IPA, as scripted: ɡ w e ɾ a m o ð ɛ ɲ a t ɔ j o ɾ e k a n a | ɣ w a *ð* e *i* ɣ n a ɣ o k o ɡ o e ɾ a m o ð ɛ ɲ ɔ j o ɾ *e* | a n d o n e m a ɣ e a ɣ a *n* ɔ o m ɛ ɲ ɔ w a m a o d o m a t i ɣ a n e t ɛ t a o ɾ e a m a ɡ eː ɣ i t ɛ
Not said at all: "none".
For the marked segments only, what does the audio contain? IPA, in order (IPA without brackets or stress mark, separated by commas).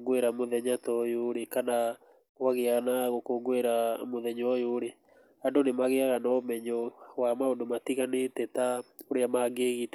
ɣ, a, e, n